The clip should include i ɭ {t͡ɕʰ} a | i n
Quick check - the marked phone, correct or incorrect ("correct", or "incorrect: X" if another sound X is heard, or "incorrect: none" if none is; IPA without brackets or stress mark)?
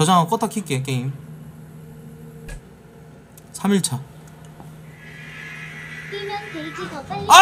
correct